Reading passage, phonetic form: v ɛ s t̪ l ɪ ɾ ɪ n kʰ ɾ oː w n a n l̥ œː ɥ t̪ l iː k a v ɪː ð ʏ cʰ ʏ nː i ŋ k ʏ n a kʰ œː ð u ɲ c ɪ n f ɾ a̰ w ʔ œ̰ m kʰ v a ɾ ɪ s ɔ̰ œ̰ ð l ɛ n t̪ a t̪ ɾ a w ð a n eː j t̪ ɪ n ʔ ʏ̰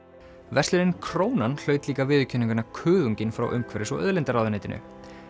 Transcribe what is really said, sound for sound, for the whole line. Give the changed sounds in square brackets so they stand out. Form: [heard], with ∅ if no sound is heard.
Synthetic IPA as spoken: v ɛ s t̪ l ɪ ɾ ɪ n kʰ ɾ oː w n a n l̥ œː ɥ t̪ l iː k a v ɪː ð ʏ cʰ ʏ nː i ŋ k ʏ n a kʰ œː ð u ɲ c ɪ n f ɾ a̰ w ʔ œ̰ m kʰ v [ɛ] ɾ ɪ s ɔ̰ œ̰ ð l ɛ n t̪ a [∅] ɾ a w ð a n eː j t̪ ɪ n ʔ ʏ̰